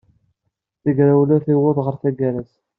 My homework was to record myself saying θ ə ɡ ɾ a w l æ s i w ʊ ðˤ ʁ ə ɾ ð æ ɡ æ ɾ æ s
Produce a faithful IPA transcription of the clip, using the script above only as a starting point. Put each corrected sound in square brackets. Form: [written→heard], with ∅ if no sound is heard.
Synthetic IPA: θ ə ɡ ɾ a w l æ [s→θ] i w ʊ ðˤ ʁ ə ɾ [ð→θ] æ ɡ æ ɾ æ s